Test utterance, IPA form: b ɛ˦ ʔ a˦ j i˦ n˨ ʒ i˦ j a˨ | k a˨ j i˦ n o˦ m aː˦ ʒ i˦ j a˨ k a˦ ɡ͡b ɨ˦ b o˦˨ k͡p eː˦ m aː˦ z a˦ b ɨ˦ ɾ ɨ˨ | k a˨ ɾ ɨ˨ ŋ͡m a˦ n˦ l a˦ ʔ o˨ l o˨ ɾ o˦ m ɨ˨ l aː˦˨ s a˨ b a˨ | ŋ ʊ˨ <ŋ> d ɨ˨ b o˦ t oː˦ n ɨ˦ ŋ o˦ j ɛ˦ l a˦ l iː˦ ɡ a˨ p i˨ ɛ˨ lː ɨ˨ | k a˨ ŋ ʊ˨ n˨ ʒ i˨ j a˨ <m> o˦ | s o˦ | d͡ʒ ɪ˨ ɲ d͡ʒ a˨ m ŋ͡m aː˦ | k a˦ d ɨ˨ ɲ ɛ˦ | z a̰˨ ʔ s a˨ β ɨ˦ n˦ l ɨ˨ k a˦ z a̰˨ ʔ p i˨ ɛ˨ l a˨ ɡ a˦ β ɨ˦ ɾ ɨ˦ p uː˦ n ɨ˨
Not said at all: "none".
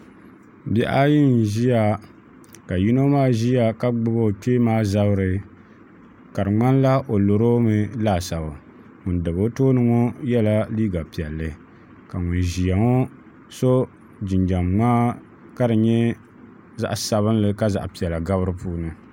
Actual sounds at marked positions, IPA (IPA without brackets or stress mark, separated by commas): n, ŋ